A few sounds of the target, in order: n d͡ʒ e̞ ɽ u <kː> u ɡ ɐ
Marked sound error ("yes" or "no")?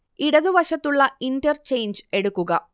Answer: no